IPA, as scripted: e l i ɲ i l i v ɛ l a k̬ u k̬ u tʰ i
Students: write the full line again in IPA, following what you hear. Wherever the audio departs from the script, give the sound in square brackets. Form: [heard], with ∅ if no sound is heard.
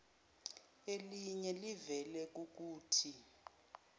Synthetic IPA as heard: e l i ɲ [ɛ] l i v ɛ l [ɛ] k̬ u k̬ [uː] tʰ i